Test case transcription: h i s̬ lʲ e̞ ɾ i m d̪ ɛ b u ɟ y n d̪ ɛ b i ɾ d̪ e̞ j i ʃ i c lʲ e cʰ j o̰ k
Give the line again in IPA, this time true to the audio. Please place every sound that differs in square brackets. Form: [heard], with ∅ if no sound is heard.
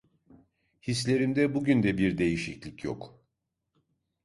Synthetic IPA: h i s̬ lʲ e̞ ɾ i m d̪ ɛ b u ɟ y n d̪ ɛ b i ɾ d̪ e̞ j i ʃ i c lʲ [i] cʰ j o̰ k